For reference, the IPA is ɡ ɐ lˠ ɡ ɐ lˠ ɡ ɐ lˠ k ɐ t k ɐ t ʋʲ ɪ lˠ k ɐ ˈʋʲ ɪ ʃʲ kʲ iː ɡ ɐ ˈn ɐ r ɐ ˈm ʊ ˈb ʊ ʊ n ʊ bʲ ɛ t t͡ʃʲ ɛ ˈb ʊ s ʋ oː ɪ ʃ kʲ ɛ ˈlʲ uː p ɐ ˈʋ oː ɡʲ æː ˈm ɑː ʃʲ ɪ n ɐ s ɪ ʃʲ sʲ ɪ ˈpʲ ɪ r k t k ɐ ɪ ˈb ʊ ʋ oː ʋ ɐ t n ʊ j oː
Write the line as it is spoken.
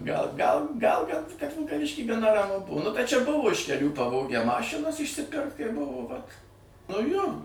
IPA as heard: ɡ ɐ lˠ ɡ ɐ lˠ ɡ ɐ lˠ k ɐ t k ɐ t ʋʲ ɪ lˠ k ɐ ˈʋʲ ɪ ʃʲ kʲ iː ɡ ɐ ˈn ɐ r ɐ ˈm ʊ ˈb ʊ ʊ n ʊ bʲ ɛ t t͡ʃʲ ɛ ˈb ʊ ʋ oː ɪ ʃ kʲ ɛ ˈlʲ uː p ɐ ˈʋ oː ɡʲ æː ˈm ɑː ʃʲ ɪ n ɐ s ɪ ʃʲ sʲ ɪ ˈpʲ ɪ r k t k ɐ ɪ ˈb ʊ ʋ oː ʋ ɐ t n ʊ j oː

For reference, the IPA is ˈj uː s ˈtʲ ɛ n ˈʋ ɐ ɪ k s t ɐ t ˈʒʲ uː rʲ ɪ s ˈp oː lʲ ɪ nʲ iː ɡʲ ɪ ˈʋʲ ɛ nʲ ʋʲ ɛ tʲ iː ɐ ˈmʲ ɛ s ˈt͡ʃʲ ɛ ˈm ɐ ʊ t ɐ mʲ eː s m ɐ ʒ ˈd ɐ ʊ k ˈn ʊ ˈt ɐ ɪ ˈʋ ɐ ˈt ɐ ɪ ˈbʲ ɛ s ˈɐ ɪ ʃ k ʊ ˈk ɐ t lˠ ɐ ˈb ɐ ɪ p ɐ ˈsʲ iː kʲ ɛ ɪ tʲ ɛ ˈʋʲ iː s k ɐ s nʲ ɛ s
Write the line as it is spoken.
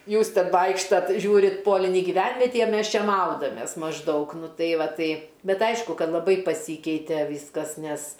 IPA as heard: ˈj uː s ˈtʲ ɛ n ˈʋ ɐ ɪ k ʃ t ɐ t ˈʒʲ uː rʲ ɪ t ˈp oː lʲ ɪ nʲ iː ɡʲ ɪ ˈʋʲ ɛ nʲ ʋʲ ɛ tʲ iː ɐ ˈmʲ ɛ s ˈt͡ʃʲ ɛ ˈm ɐ ʊ d ɐ mʲ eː s m ɐ ʒ ˈd ɐ ʊ k ˈn ʊ ˈt ɐ ɪ ˈʋ ɐ ˈt ɐ ɪ ˈbʲ ɛ t ˈɐ ɪ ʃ k ʊ ˈk ɐ t lˠ ɐ ˈb ɐ ɪ p ɐ ˈsʲ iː kʲ ɛ ɪ tʲ ɛ ˈʋʲ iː s k ɐ s nʲ ɛ s

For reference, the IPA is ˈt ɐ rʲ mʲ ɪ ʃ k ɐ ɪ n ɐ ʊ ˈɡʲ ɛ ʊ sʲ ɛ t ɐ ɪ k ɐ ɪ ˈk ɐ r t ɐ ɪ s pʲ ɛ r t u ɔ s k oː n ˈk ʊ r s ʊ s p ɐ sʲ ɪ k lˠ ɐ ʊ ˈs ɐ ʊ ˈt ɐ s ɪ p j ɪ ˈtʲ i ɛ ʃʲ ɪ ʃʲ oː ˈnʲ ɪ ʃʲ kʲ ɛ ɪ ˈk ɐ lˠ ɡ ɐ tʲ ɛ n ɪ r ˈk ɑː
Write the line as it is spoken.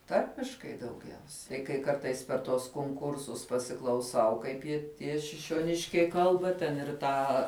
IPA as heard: ˈt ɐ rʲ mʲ ɪ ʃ k ɐ ɪ d ɐ ʊ ˈɡʲ ɛ ʊ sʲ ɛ t ɐ ɪ k ɐ ɪ ˈk ɐ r t ɐ ɪ s pʲ ɛ r t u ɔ s k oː ŋ ˈk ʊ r s ʊ s p ɐ sʲ ɪ k lˠ ɐ ʊ ˈs ɐ ʊ ˈk ɐ ɪ p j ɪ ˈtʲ i ɛ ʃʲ ɪ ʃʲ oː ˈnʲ ɪ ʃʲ kʲ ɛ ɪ ˈk ɐ lˠ b ɐ tʲ ɛ n ɪ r ˈt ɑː

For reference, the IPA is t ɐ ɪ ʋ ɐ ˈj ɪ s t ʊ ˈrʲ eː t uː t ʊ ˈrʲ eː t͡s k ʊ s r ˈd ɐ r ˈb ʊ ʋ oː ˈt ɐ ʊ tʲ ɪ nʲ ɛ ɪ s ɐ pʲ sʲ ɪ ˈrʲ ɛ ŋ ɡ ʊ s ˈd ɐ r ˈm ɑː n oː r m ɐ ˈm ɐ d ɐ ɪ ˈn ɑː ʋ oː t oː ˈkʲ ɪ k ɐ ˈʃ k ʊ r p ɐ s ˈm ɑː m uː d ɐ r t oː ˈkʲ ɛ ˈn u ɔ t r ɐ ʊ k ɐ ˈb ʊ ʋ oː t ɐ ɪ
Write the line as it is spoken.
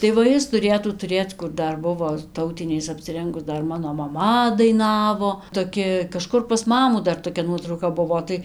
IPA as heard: t ɐ ɪ ʋ ɐ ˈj ɪ s t ʊ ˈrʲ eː t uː t ʊ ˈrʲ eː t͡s k ʊ r ˈd ɐ r ˈb ʊ ʋ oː ˈt ɐ ʊ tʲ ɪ nʲ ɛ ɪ s ɐ pʲ sʲ ɪ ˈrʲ ɛ ŋ ɡ ʊ s ˈd ɐ r ˈm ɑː n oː m ɐ ˈm ɐ d ɐ ɪ ˈn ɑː ʋ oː t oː ˈkʲ ɪ k ɐ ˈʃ k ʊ r p ɐ s ˈm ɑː m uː d ɐ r t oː ˈkʲ ɛ ˈn u ɔ t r ɐ ʊ k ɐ ˈb ʊ ʋ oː t ɐ ɪ

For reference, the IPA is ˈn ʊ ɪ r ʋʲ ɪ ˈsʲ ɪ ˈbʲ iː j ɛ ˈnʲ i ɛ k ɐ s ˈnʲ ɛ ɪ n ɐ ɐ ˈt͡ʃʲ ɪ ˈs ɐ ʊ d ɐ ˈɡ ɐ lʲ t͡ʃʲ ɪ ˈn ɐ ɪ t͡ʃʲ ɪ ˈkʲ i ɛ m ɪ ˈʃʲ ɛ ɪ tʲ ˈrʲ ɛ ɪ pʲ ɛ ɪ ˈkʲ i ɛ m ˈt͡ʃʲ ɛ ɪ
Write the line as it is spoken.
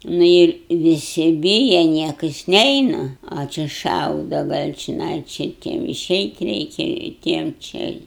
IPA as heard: ˈn ʊ ɪ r ʋʲ ɪ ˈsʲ ɪ ˈbʲ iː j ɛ ˈnʲ i ɛ k ɐ s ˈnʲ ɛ ɪ n ɐ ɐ ˈt͡ʃʲ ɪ ˈʃ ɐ ʊ d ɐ ˈɡ ɐ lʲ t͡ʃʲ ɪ ˈn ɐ ɪ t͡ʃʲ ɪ ˈtʲ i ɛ m ɪ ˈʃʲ ɛ ɪ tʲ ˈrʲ ɛ ɪ kʲ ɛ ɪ ˈtʲ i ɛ m ˈt͡ʃʲ ɛ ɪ

